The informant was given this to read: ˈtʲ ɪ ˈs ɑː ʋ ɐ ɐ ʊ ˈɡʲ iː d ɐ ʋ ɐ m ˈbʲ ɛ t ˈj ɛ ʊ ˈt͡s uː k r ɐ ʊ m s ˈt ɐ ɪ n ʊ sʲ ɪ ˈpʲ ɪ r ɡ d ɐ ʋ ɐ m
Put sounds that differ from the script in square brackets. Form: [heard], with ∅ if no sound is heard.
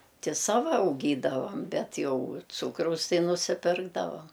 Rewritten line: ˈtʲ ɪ ˈs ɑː ʋ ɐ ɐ ʊ ˈɡʲ iː d ɐ ʋ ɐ m ˈbʲ ɛ t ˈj ɛ ʊ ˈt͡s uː k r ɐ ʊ [∅] s ˈt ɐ ɪ n ʊ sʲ ɪ ˈpʲ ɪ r ɡ d ɐ ʋ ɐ m